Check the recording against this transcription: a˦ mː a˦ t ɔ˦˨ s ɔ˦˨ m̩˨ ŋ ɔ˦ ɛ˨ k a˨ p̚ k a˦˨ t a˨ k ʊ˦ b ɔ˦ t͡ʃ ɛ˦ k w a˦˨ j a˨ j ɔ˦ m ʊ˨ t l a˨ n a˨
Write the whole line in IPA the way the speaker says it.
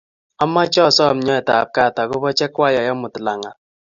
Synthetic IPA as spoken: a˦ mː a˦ t͡ʃ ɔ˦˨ s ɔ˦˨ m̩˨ ɲ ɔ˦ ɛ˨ t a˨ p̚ k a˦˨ t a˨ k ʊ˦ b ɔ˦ t͡ʃ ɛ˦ k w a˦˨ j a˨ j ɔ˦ m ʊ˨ t l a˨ ŋ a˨